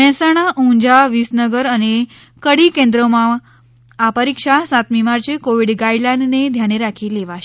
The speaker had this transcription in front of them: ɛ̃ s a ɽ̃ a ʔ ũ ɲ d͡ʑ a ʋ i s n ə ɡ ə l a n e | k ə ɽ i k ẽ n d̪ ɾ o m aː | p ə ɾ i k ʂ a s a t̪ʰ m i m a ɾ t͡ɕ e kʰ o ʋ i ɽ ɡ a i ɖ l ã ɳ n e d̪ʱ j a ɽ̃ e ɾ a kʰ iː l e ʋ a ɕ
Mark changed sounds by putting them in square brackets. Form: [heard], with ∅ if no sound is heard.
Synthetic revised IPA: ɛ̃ s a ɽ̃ a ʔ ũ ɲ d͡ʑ a ʋ i s n ə ɡ ə [ɾ] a n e | k ə ɽ i k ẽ n d̪ ɾ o m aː | p ə ɾ i k ʂ a s a [t̪] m i m a ɾ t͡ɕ e [k] o ʋ i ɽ ɡ a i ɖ l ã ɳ n e d̪ʱ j a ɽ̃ e ɾ a kʰ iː l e ʋ a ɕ

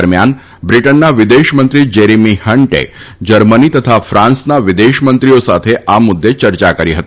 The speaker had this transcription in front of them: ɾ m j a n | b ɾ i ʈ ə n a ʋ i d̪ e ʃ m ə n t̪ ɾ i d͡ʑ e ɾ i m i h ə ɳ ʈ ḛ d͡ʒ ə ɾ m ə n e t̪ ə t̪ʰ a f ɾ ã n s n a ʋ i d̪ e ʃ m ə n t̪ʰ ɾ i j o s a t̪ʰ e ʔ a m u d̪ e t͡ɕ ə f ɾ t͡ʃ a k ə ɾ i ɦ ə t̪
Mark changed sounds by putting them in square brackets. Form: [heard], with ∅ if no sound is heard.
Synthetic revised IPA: ɾ m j a n | b ɾ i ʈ ə [nː] a ʋ i d̪ e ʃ m ə n t̪ ɾ i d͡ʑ e ɾ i m i h ə ɳ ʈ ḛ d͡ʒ ə ɾ m ə n [i] t̪ ə t̪ʰ a f ɾ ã n s n a ʋ i d̪ e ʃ m ə n [t̪] ɾ i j o s a t̪ʰ e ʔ a m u [d̪ː] e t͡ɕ ə [∅] ɾ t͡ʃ a k ə ɾ i ɦ ə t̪

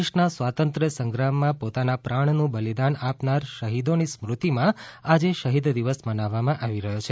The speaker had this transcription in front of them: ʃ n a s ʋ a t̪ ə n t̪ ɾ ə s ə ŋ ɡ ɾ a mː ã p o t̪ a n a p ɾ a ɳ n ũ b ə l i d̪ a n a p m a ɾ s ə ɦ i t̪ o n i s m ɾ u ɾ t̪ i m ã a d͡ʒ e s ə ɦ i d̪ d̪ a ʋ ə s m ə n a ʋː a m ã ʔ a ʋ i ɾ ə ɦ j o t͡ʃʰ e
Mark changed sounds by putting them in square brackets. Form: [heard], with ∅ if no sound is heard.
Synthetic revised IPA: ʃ n a s ʋ a t̪ ə n t̪ ɾ ə s ə ŋ ɡ ɾ a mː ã p o t̪ a n a p ɾ a ɳ n ũ b ə l i d̪ a n a p [n] a ɾ [ʃ] ə ɦ i [d̪] o n i s m ɾ u [∅] t̪ i m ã a d͡ʒ e [ʃ] ə ɦ i d̪ d̪ [i] ʋ ə s m ə n a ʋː a m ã ʔ a ʋ i ɾ ə ɦ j o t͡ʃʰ e

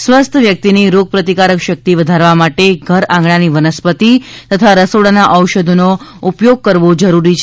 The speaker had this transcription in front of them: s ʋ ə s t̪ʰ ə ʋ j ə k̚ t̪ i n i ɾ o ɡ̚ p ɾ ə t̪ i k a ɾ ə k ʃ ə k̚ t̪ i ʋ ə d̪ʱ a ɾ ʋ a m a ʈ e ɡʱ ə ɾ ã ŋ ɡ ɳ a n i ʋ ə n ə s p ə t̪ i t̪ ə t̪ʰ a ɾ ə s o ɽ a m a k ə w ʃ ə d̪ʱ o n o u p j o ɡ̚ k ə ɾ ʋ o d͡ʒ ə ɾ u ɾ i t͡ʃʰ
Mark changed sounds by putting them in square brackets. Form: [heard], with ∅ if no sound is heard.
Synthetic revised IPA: s ʋ ə s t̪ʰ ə ʋ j ə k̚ t̪ i n i ɾ o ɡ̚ p ɾ ə t̪ i k a ɾ ə k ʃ ə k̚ t̪ i ʋ ə d̪ʱ a ɾ ʋ a m a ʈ e ɡʱ ə ɾ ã ŋ ɡ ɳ a n i ʋ ə n ə s p ə t̪ i t̪ ə t̪ʰ a ɾ ə s o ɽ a [n] a [ʔ] ə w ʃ ə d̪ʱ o n o u p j o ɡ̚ k ə ɾ ʋ o d͡ʒ ə ɾ u ɾ i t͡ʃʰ

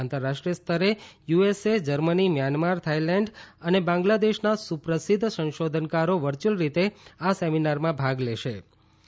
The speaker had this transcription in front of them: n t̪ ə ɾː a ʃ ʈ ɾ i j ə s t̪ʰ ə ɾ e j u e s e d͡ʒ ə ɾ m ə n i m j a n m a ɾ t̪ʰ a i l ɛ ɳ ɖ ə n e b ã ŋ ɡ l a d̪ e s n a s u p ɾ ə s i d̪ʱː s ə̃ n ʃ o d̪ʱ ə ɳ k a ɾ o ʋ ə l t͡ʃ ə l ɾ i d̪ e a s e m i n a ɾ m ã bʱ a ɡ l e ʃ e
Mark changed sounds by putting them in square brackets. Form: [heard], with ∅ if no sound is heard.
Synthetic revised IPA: n t̪ ə ɾː a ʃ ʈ ɾ i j ə s t̪ʰ ə ɾ e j u e s e d͡ʒ ə ɾ m ə n i m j a n m a ɾ t̪ʰ a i l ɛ ɳ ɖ ə n e b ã ŋ ɡ l a d̪ e [ʃ] n a s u p ɾ ə s i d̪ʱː s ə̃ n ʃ o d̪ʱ ə [n] k a ɾ o ʋ ə [ɾ] t͡ʃ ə l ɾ i [t̪] e a s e m i n a ɾ m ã bʱ a ɡ l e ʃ e

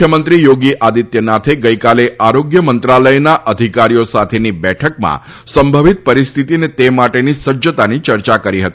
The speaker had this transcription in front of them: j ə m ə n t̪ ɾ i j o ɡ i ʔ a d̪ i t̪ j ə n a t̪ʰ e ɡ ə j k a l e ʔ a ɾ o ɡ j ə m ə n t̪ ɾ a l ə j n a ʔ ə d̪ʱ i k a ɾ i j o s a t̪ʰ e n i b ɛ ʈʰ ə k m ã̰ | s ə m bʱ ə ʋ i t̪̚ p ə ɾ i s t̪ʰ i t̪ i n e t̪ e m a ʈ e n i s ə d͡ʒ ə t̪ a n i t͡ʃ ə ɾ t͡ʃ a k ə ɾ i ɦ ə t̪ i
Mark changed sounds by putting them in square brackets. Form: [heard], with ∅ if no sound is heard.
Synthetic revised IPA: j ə m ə n t̪ ɾ i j o ɡ i ʔ a d̪ i t̪ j ə n a t̪ʰ e ɡ ə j k a l e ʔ a ɾ o ɡ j ə m ə n t̪ ɾ a l ə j n a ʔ ə d̪ʱ i k a ɾ i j o s a t̪ʰ e n i b ɛ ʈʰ ə k m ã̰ | s ə m bʱ ə ʋ i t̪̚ p ə ɾ i s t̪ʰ i t̪ i n e t̪ e m a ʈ e n i s ə d͡ʒ ə t̪ a n i t͡ʃ ə ɾ t͡ʃ a k ə ɾ i ɦ ə t̪ i

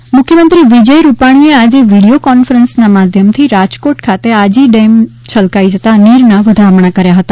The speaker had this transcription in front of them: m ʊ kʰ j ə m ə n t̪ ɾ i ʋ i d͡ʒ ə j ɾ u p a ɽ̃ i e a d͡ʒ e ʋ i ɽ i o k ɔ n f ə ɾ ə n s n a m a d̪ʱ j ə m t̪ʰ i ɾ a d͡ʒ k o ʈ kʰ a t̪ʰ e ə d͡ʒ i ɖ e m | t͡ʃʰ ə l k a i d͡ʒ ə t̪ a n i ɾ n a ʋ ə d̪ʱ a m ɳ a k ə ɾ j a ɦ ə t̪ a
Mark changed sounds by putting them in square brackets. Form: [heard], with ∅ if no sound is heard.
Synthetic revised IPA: m ʊ kʰ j ə m ə n t̪ ɾ i ʋ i d͡ʒ ə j ɾ u p a ɽ̃ i e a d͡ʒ e ʋ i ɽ i o k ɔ n f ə ɾ ə n s n a m a d̪ʱ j ə m t̪ʰ i ɾ a d͡ʒ k o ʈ kʰ a [t̪] e [a] d͡ʒ i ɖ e m | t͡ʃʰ ə l k a i d͡ʒ ə t̪ a n i ɾ n a ʋ ə d̪ʱ a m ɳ a k ə ɾ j a ɦ ə t̪ a

